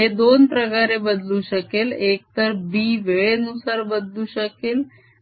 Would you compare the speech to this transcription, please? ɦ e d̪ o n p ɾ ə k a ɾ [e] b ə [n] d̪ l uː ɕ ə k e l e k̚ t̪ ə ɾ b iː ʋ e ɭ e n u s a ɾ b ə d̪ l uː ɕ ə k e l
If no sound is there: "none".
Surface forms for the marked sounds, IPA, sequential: e, none

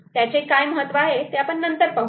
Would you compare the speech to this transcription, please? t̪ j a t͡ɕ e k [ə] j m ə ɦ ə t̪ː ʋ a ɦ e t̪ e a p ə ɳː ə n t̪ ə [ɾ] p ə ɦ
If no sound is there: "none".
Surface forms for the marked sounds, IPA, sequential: a, ɾ

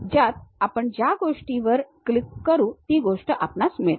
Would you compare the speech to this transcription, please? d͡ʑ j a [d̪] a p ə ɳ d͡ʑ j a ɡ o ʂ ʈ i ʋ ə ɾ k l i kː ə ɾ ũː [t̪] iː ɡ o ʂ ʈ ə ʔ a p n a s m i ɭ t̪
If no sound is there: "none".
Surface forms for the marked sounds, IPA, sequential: t̪, t̪

